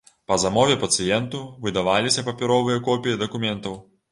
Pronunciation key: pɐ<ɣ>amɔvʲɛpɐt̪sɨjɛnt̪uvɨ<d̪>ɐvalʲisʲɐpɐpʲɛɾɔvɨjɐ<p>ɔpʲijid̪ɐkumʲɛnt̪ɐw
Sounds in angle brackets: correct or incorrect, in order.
incorrect: z, correct, incorrect: k

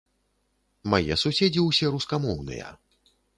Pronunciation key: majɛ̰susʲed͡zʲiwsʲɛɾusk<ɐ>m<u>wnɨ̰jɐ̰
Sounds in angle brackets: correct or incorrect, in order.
incorrect: a, incorrect: ɔ

